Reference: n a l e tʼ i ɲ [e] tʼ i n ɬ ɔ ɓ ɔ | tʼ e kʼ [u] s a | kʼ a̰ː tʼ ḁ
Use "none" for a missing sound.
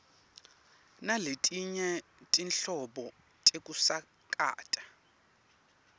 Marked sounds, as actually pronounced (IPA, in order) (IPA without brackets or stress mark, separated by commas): ɛ, u